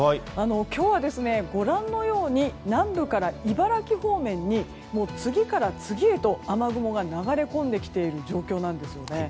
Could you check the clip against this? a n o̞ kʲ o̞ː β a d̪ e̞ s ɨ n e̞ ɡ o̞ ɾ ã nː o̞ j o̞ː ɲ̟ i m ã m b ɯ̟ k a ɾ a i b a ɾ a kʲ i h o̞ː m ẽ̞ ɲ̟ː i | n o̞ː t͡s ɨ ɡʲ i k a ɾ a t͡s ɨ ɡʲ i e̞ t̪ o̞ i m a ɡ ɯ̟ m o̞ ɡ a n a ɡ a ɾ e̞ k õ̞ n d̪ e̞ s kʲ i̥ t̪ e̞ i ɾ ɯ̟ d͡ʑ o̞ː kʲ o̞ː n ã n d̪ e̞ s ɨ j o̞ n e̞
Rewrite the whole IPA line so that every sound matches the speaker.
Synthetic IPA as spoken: a n o̞ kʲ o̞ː β a d̪ e̞ s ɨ n e̞ ɡ o̞ ɾ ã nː o̞ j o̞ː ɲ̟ i n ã m b ɯ̟ k a ɾ a i b a ɾ a kʲ i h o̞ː m ẽ̞ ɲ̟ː i | m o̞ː t͡s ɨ ɡʲ i k a ɾ a t͡s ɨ ɡʲ i e̞ t̪ o̞ a m a ɡ ɯ̟ m o̞ ɡ a n a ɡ a ɾ e̞ k õ̞ n d̪ e̞ kʲ i̥ t̪ e̞ i ɾ ɯ̟ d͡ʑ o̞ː kʲ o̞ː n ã n d̪ e̞ s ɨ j o̞ n e̞

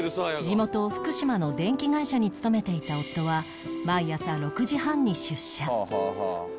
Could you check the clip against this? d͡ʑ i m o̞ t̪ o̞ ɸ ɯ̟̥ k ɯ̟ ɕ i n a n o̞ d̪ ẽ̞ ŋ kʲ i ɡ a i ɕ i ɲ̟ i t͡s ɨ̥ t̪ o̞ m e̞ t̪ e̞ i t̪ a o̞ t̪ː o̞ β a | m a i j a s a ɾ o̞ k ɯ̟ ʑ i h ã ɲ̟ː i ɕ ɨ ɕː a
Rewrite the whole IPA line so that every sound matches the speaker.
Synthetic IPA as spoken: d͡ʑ i m o̞ t̪ o̞ ɸ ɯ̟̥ k ɯ̟ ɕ i m a n o̞ d̪ ẽ̞ ŋ kʲ i ɡ a i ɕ a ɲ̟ i t͡s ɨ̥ t̪ o̞ m e̞ t̪ e̞ i t̪ a o̞ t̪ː o̞ β a | m a i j a s a ɾ o̞ k ɯ̟ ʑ i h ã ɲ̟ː i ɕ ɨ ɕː a

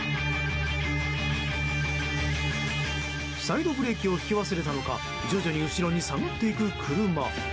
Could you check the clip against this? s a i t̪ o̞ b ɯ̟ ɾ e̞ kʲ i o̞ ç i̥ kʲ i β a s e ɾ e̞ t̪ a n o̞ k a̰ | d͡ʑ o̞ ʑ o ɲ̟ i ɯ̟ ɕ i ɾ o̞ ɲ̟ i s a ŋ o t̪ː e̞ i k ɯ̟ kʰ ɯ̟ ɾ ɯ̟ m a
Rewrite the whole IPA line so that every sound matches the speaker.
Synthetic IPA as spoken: s a i d̪ o̞ b ɯ̟ ɾ e̞ kʲ i o̞ ç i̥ kʲ i β a s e ɾ e̞ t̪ a n o̞ k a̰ | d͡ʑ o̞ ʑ o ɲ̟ i ɯ̟ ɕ i ɾ o̞ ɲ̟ i s a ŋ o t̪ː e̞ i k ɯ̟ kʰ ɯ̟ ɾ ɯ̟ m a

